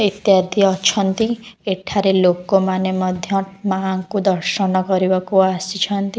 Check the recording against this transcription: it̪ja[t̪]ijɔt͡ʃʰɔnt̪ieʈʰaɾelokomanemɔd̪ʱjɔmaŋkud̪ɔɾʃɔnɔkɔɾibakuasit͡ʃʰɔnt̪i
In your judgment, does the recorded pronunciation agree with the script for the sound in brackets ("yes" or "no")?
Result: no